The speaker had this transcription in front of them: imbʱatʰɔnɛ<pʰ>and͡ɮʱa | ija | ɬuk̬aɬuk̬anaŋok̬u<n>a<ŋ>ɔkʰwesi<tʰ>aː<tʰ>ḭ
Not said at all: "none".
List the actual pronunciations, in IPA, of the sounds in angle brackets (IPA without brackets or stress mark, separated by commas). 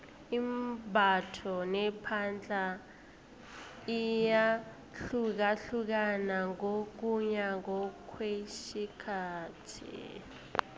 pʰ, ɲ, ŋ, kʰ, tʰ